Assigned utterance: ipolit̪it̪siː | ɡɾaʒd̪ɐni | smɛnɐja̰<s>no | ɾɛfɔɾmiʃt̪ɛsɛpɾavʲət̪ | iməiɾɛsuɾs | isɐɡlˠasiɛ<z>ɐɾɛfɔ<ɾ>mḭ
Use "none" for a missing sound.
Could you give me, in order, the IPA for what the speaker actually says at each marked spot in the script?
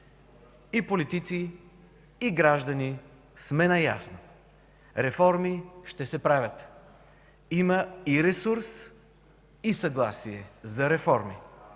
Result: s, z, ɾ

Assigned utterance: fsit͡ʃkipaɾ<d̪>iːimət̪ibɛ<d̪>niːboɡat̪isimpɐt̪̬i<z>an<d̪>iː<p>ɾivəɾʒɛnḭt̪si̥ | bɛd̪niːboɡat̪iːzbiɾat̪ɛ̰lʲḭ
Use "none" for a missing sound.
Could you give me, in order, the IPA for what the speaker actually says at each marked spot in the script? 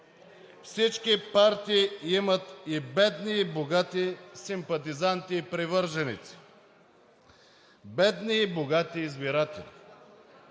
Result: t̪, d̪, z, t̪, p

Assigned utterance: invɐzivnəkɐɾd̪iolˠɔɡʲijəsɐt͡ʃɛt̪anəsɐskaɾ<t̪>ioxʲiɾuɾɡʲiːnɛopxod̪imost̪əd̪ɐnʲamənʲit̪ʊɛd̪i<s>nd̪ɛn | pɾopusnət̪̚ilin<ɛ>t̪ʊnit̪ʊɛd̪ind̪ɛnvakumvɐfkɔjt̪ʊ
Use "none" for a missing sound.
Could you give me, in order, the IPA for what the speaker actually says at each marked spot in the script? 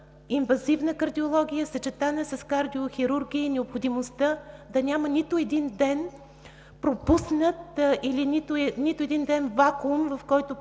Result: d̪, none, i

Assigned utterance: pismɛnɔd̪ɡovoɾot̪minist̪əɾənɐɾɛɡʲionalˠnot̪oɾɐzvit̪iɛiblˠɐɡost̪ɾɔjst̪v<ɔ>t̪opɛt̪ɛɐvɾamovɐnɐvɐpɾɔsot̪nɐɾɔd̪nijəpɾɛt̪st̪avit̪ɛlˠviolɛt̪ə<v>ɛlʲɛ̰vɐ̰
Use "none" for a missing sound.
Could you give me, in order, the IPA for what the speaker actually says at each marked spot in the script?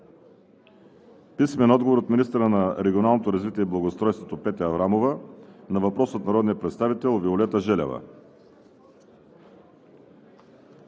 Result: o, ʒ

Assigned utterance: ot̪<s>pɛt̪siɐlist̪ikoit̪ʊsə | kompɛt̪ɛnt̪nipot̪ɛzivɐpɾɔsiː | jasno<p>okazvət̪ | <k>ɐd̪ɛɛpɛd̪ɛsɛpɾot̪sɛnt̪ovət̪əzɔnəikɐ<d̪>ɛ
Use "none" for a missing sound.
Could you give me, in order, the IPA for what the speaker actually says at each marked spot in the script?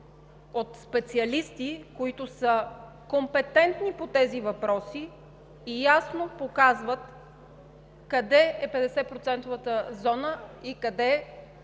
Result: s, p, k, d̪

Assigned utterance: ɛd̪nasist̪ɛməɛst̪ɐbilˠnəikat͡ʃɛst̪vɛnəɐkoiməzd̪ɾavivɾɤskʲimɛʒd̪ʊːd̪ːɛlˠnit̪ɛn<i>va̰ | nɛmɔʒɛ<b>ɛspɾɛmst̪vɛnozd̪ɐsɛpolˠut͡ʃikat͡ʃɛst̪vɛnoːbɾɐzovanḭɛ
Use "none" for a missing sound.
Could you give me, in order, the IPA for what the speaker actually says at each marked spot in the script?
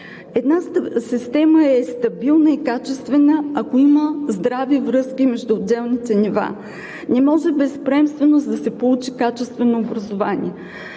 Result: i, b

